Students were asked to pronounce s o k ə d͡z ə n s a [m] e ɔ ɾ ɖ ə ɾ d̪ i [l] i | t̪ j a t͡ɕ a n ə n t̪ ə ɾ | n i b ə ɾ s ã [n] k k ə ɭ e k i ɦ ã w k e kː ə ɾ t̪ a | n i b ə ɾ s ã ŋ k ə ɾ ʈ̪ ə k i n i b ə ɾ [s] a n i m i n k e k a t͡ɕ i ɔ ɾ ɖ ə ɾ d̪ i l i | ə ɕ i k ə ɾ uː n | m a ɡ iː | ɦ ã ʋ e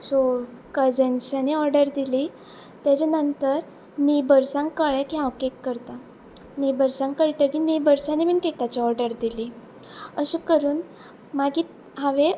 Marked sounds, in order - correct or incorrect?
incorrect: n, correct, incorrect: ŋ, correct

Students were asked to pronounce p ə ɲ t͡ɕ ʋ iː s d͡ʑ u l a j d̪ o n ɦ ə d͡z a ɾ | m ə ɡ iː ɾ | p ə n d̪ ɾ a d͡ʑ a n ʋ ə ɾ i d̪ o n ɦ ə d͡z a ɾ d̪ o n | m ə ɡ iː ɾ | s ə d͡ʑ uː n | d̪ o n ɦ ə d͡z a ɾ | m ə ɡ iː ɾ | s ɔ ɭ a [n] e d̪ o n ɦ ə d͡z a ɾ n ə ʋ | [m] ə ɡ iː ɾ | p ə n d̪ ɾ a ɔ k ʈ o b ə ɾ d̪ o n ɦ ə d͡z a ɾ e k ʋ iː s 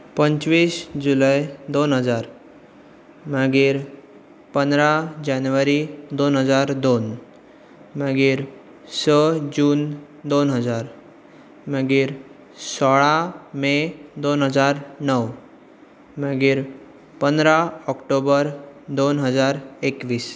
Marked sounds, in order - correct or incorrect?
incorrect: m, correct

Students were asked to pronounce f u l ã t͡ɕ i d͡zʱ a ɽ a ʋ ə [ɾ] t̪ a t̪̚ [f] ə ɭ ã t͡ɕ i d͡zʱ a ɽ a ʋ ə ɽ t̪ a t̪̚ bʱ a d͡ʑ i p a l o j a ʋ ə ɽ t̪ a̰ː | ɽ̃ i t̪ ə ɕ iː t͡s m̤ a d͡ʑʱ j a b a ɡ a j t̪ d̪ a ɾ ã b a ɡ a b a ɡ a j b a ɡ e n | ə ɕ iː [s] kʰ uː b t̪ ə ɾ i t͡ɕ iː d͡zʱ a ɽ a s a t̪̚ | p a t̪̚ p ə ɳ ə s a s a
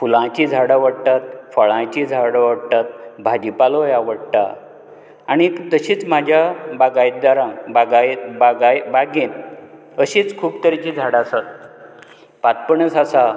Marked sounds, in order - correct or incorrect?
incorrect: ɽ, correct, incorrect: t͡s

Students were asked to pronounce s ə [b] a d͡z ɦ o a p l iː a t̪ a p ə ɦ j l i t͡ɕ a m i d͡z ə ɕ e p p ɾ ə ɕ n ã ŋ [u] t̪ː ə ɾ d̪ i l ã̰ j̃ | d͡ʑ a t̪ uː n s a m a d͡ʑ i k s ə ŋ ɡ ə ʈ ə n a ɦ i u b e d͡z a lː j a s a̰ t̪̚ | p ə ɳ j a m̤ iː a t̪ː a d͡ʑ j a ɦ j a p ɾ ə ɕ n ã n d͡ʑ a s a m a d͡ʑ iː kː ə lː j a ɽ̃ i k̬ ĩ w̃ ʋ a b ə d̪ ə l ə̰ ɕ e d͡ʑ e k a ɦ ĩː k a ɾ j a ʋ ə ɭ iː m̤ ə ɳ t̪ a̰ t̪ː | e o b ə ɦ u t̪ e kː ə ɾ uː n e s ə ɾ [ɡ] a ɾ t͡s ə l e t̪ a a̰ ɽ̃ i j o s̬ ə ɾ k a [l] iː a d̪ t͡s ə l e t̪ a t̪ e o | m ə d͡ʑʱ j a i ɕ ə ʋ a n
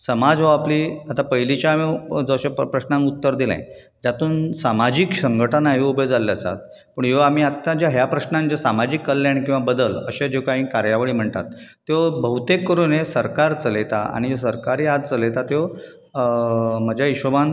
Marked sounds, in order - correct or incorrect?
incorrect: m, correct, incorrect: k, incorrect: ɾ

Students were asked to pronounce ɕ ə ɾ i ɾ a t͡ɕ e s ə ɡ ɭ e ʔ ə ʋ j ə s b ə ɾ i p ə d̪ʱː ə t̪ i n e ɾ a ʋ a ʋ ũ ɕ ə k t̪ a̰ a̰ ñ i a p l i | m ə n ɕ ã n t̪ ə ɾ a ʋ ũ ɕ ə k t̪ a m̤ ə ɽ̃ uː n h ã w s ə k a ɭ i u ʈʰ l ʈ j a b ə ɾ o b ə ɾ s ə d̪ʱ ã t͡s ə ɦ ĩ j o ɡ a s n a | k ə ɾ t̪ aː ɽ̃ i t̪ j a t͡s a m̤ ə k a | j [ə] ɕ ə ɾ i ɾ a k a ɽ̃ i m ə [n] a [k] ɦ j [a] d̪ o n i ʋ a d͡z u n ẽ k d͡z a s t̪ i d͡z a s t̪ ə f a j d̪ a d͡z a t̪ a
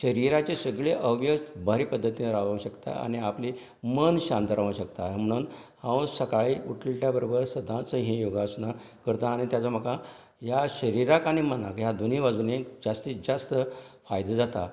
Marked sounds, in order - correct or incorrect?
incorrect: a, correct, correct, correct

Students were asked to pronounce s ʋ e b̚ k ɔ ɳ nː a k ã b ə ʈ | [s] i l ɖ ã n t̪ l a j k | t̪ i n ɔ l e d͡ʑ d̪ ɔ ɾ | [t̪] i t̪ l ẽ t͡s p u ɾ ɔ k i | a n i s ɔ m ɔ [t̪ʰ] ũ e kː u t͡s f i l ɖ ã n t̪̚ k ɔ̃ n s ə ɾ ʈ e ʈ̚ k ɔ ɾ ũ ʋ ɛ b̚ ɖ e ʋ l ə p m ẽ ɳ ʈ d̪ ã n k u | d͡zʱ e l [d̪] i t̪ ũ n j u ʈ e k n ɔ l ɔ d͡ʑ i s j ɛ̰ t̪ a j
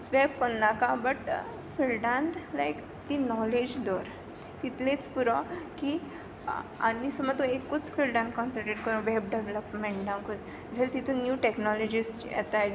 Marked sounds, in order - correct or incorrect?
incorrect: f, correct, incorrect: t̪, incorrect: t̪

